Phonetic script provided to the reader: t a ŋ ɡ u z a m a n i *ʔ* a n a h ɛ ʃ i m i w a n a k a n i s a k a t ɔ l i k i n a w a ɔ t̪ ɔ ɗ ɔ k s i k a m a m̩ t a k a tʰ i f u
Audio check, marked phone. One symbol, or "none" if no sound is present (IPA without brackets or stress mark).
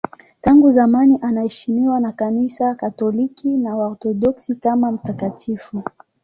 ʔ